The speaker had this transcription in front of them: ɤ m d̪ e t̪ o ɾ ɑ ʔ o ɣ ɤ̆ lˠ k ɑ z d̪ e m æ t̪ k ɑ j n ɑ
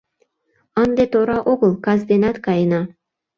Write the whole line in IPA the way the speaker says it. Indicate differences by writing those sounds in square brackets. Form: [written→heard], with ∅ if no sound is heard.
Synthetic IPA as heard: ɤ [m→n] d̪ e t̪ o ɾ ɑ ʔ o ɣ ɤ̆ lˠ k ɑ z d̪ e [m→n] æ t̪ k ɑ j n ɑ